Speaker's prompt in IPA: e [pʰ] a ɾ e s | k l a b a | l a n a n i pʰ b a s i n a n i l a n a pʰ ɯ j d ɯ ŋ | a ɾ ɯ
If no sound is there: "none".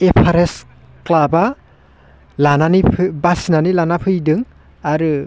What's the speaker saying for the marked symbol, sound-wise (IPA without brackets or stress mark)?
pʰ